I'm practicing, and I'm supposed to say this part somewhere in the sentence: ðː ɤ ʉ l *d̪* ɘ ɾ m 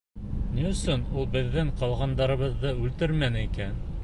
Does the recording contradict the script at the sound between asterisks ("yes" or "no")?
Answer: yes